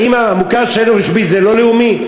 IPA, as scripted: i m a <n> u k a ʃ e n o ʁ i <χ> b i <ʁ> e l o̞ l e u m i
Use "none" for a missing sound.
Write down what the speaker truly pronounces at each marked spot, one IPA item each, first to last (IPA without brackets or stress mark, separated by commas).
m, ʃ, z